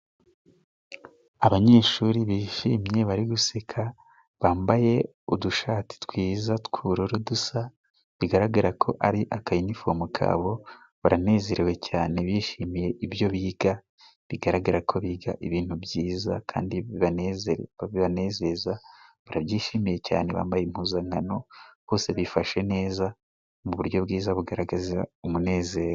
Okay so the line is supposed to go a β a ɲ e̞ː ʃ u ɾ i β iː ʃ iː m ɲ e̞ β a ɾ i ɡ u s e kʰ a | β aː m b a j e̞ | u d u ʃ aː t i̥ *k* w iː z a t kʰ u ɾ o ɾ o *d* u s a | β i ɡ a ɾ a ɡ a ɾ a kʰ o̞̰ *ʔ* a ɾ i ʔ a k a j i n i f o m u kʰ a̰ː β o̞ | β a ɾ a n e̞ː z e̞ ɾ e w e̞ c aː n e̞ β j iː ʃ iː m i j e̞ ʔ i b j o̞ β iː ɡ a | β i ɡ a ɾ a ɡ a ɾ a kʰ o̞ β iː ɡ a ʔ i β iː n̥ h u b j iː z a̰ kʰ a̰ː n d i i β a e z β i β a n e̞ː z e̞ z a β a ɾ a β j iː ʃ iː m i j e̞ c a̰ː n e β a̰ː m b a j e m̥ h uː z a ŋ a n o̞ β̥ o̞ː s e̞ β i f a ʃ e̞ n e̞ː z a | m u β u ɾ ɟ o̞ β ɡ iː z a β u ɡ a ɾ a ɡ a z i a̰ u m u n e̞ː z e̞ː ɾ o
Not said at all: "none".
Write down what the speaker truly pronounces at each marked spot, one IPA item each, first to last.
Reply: t, d, ʔ

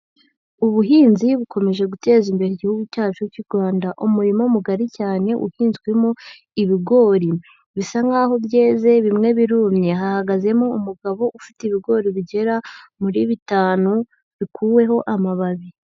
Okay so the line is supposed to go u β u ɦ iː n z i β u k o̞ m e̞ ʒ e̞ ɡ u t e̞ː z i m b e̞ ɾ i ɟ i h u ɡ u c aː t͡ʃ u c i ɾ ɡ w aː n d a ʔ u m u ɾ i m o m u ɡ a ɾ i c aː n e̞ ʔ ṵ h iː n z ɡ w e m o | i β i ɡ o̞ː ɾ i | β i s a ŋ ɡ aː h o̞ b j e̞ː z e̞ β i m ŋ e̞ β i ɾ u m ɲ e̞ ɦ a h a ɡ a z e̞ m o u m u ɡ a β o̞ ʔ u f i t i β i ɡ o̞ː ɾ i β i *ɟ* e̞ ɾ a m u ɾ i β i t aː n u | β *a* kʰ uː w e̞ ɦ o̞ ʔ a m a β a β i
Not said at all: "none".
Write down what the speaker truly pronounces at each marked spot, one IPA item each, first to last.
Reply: ɟ, i

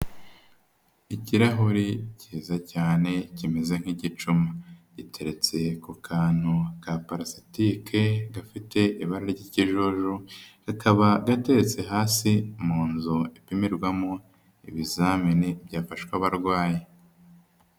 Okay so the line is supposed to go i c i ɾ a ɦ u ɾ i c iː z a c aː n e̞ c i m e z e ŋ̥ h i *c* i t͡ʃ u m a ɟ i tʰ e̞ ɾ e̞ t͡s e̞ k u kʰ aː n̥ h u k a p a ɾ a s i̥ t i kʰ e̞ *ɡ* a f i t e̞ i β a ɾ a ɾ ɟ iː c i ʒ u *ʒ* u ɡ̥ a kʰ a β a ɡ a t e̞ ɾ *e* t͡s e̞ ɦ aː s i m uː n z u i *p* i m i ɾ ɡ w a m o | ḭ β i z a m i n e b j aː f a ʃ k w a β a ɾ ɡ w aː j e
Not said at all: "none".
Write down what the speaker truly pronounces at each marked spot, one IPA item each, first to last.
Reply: ɟ, ɡ, ʒ, e, p

